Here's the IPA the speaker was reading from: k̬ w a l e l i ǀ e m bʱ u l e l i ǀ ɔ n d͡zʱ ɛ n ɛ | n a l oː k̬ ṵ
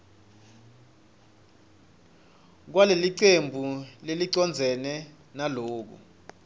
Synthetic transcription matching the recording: k̬ w a l e l i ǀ e m bʱ u l e l i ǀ ɔ n d͡zʱ ɛ n ɛ | n a l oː k̬ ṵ